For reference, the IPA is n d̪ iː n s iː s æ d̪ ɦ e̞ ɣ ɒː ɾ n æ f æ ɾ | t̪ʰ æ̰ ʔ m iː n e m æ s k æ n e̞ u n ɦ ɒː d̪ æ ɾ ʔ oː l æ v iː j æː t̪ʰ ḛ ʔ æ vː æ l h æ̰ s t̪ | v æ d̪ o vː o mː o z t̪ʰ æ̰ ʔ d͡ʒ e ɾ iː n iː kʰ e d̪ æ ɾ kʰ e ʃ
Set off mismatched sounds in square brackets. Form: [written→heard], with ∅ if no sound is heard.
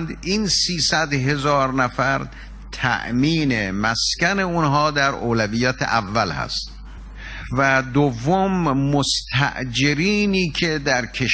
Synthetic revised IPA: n d̪ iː n s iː s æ d̪ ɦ e̞ [ɣ→z] ɒː ɾ n æ f æ ɾ | t̪ʰ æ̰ ʔ m iː n e m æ s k æ n e̞ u n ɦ ɒː d̪ æ ɾ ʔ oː l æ v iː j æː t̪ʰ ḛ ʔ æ vː æ l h æ̰ s t̪ | v æ d̪ o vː o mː o [z→s] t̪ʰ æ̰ ʔ d͡ʒ e ɾ iː n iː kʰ e d̪ æ ɾ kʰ e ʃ